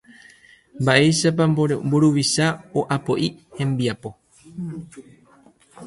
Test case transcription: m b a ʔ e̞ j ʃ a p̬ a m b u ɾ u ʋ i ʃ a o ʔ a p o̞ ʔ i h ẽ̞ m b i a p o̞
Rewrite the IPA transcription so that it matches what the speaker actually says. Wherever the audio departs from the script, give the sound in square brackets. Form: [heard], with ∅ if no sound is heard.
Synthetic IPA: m b a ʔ e̞ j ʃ a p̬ a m b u ɾ u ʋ i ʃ a o ʔ a p o̞ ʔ i h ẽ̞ m b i a p o̞